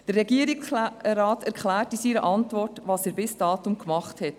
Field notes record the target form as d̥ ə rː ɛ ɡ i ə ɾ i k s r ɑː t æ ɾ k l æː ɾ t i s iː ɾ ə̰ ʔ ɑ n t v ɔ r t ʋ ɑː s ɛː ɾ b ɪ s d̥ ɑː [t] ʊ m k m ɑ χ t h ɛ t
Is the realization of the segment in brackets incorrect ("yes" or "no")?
no